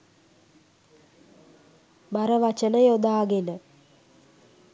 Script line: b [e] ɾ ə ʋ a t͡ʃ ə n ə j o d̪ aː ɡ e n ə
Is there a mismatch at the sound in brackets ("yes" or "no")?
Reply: yes